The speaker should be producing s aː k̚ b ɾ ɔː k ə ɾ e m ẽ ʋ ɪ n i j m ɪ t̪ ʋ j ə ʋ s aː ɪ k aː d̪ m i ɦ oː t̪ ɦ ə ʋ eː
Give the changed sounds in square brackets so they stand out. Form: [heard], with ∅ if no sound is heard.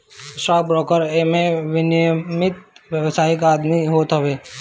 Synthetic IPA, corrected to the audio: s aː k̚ b ɾ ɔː k ə ɾ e m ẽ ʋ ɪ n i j m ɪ t̪ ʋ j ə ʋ s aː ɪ k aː d̪ m i ɦ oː t̪ ɦ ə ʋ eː